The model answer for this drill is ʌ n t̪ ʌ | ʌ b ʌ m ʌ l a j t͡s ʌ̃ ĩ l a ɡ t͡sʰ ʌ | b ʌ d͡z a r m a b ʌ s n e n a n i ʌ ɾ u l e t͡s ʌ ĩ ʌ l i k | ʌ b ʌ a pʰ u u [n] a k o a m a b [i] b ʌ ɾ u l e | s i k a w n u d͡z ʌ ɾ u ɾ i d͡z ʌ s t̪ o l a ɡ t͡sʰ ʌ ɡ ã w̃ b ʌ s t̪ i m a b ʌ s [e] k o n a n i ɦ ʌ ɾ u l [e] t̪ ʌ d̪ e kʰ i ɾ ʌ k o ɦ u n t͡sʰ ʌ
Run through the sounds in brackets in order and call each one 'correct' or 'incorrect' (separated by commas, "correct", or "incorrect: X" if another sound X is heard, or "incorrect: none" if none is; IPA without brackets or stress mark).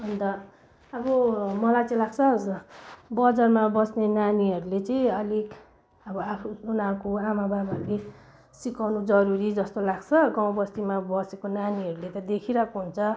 correct, incorrect: a, correct, correct